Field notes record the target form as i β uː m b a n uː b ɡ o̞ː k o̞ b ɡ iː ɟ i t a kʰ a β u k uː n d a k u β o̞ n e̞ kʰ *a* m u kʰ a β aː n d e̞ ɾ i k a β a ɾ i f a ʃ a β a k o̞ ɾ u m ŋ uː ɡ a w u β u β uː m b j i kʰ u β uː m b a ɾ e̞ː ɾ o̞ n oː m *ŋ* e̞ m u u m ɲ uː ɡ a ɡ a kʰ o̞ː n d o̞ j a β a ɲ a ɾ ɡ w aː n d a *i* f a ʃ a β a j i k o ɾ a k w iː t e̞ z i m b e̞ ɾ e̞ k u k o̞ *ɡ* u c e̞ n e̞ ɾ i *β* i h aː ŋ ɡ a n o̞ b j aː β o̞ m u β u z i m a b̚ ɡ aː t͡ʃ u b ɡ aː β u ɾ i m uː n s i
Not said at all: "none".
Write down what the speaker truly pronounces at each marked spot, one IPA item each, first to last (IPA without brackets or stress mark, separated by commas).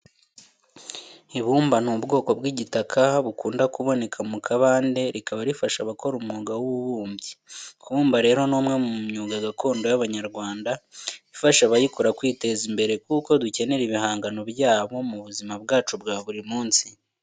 a, ŋ, i, d, β